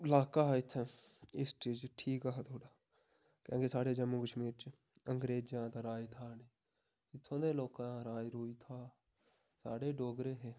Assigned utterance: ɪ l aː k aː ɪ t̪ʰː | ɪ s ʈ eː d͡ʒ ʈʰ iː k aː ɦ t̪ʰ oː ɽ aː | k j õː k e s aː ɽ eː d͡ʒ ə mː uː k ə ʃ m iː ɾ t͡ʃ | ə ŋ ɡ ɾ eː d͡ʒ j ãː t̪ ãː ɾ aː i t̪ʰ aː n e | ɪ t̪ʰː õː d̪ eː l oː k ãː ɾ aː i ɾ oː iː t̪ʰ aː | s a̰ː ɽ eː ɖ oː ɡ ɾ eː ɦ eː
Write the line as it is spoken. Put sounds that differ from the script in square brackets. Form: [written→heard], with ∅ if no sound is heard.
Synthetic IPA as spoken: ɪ l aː k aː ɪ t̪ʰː | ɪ s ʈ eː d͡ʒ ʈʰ iː k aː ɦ t̪ʰ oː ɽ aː | k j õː k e s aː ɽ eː d͡ʒ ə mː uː k ə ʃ m iː ɾ t͡ʃ | ə ŋ ɡ ɾ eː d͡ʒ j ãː t̪ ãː ɾ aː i t̪ʰ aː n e | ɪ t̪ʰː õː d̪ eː l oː k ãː ɾ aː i ɾ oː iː t̪ʰ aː | s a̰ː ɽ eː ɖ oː ɡ ɾ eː ɦ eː